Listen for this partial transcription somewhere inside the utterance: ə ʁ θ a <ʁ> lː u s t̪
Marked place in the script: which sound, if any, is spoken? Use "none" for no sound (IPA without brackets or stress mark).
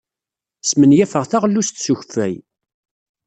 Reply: ʁ